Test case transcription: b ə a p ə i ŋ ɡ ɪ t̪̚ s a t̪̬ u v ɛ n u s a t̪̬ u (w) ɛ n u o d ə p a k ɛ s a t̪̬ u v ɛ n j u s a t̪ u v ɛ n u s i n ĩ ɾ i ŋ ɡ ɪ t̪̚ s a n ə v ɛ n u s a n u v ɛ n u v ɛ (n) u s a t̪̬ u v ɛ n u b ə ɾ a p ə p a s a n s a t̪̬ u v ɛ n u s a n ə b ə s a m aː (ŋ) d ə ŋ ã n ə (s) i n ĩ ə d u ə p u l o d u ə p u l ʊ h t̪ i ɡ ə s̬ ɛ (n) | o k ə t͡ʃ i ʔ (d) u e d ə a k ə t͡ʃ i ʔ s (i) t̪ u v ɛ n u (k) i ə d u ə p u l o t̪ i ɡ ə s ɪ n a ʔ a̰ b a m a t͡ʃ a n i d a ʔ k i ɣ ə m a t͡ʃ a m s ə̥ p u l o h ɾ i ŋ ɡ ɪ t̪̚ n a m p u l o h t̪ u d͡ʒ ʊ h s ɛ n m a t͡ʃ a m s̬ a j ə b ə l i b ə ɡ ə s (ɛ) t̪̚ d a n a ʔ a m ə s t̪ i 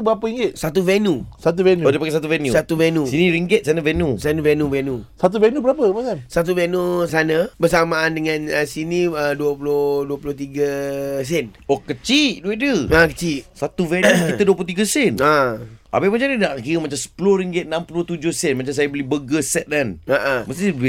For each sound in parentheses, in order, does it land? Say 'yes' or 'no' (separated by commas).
no, yes, no, yes, yes, yes, no, yes, yes